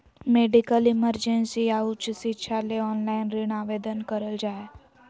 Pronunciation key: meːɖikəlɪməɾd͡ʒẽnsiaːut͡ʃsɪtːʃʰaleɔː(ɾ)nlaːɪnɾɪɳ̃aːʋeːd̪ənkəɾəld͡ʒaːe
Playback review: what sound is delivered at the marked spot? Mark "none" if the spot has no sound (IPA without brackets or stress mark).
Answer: none